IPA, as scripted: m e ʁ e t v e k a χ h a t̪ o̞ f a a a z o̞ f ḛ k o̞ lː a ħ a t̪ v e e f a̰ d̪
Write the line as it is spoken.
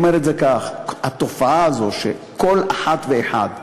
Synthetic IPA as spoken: m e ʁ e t z e k a χ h a t̪ o̞ f a a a z o̞ ʃ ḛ k o̞ l a ħ a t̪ v e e ħ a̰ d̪